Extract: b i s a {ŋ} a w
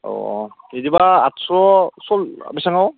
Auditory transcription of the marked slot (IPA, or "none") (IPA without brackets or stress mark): ŋ